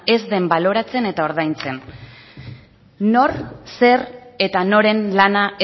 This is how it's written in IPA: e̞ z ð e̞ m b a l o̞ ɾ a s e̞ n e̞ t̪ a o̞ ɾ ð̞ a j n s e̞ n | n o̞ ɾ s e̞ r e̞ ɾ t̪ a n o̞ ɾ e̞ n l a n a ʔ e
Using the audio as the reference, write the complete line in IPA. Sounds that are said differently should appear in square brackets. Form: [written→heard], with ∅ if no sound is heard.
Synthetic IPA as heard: e̞ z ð e̞ m b a l o̞ ɾ a [s→t͡s] e̞ n e̞ t̪ a o̞ ɾ ð̞ a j n [s→t͡s] e̞ n | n o̞ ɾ s e̞ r e̞ [ɾ→∅] t̪ a n o̞ ɾ e̞ n l a n a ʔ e